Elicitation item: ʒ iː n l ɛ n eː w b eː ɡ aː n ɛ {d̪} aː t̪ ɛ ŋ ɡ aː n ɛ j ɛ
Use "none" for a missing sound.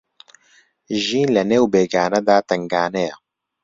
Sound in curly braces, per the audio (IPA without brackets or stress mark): d̪